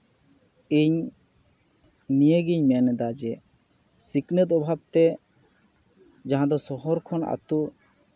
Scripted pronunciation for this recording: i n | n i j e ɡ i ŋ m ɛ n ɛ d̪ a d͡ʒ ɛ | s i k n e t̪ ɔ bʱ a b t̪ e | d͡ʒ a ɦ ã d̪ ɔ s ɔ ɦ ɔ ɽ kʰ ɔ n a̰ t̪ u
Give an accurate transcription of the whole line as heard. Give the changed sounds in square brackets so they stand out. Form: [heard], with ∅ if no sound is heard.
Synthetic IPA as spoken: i [ɲ] | n i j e ɡ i [ɲ] m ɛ n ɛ d̪ a d͡ʒ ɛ | s i k n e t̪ ɔ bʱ a b t̪ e | d͡ʒ a ɦ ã d̪ ɔ s ɔ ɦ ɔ [ɾ] kʰ ɔ n a̰ t̪ u